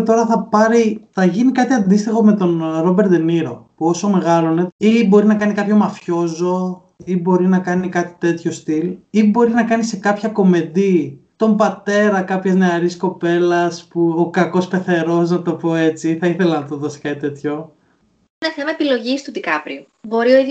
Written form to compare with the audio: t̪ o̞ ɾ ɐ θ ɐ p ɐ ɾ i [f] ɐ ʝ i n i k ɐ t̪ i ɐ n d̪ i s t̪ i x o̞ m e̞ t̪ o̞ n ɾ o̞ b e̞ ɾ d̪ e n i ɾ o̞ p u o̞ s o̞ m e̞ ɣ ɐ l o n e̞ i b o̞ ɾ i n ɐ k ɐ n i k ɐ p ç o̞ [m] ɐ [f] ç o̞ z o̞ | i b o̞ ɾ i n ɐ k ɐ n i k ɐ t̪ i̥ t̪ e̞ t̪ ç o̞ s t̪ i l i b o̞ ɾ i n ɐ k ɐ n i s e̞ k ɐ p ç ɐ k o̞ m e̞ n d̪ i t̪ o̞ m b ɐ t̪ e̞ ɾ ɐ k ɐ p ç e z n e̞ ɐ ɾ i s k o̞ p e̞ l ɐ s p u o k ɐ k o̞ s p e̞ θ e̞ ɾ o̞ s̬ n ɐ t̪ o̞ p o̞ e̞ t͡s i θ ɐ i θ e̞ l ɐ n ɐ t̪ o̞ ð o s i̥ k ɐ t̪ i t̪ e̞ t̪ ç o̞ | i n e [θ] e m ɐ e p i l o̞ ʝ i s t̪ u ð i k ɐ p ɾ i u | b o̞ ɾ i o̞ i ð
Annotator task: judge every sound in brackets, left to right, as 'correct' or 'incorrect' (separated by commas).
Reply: incorrect, correct, correct, correct